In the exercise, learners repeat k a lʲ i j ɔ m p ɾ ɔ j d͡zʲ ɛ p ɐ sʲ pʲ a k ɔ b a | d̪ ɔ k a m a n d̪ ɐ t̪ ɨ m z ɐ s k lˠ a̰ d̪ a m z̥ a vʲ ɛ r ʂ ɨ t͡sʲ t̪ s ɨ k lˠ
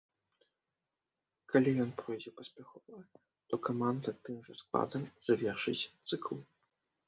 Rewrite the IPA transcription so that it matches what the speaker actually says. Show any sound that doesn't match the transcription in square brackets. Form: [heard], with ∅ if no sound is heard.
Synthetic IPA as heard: k a lʲ i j ɔ [n] p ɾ ɔ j d͡zʲ ɛ p ɐ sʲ pʲ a [x] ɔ [v] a | [t̪] ɔ k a m a n d̪ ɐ t̪ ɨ m [ʐ] ɐ s k lˠ a̰ d̪ [ɐ] m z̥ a vʲ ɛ r ʂ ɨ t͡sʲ t̪ s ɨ k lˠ